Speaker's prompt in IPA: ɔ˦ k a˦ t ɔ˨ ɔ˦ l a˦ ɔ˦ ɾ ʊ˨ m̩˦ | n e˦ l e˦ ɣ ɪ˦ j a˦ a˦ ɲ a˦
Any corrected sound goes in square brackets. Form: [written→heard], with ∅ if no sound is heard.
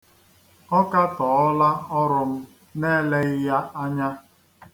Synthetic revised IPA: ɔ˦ k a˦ t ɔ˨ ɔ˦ l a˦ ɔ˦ ɾ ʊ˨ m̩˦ | n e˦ l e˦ ɣ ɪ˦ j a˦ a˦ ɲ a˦